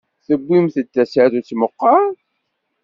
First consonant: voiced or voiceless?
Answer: voiceless